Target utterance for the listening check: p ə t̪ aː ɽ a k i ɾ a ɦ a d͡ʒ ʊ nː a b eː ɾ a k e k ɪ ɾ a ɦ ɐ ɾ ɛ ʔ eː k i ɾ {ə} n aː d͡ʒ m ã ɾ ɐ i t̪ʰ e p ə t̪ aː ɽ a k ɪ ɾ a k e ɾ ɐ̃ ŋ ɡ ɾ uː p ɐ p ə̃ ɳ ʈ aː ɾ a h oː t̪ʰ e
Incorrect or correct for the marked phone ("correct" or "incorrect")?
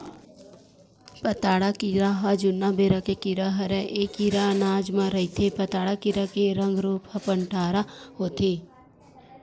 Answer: incorrect